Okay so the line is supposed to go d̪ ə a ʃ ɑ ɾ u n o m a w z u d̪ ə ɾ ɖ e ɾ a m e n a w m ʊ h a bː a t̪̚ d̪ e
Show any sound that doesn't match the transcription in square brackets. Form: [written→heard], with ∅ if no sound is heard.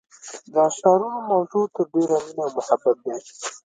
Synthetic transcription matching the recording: d̪ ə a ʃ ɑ ɾ u n o m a w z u [d̪→t̪] ə ɾ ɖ e ɾ a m [e→i] n a w m ʊ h a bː a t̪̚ d̪ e